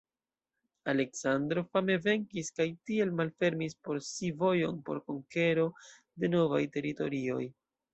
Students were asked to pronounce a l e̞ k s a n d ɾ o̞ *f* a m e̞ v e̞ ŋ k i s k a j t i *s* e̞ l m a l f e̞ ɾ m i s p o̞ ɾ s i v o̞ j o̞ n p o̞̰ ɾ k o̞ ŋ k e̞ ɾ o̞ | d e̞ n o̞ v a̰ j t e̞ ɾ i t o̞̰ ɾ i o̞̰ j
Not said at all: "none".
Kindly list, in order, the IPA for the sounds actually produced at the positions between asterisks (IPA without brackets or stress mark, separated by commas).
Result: f, none